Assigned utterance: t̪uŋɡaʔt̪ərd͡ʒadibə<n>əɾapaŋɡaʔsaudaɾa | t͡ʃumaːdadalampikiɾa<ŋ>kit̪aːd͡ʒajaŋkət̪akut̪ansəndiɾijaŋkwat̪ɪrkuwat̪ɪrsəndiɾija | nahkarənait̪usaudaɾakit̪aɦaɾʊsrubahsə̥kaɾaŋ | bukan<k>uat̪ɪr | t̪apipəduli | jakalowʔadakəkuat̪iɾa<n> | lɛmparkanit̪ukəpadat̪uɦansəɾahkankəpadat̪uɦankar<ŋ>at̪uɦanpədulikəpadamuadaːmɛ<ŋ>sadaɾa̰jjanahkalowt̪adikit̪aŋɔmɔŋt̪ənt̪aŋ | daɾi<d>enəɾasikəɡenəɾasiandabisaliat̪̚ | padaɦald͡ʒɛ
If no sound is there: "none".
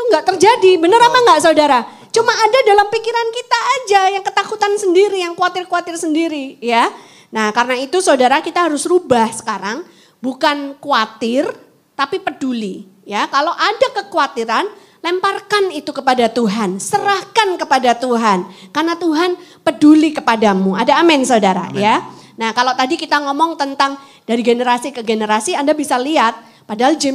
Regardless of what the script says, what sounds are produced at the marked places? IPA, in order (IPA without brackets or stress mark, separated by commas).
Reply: n, n, k, n, n, n, ɡ